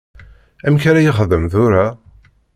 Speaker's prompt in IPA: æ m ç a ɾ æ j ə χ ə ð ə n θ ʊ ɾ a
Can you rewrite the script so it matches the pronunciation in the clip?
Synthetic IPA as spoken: æ m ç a ɾ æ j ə χ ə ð ə m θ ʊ ɾ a